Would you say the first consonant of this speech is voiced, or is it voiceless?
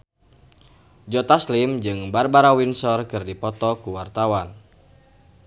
voiced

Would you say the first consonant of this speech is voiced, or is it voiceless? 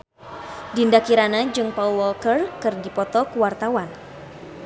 voiced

